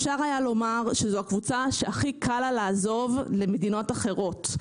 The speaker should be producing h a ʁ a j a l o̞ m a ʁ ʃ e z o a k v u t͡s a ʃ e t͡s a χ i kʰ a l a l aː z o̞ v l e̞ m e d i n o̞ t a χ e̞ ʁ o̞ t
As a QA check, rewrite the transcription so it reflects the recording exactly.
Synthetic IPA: ʃ a ʁ a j a l o̞ m a ʁ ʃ e z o a k v u t͡s a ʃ e a χ i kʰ a l a l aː z o̞ v l e̞ m e d i n o̞ t a χ e̞ ʁ o̞ t